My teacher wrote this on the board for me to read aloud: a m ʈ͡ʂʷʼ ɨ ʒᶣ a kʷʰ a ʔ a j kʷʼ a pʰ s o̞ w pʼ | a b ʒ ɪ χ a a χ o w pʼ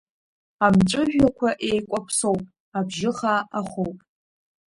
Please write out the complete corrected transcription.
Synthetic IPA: a m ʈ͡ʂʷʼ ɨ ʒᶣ a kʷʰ a ʔ e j kʷʼ a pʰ s o̞ w pʼ | a b ʒ ɪ χ a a χ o w pʼ